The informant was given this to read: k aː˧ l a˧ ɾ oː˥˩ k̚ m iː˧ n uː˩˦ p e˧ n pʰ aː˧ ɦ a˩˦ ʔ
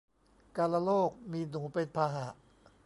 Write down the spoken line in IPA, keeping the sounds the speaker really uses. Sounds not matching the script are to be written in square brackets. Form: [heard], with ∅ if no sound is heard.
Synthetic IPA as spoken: k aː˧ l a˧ [l] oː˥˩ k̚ m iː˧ n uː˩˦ p e˧ n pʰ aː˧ ɦ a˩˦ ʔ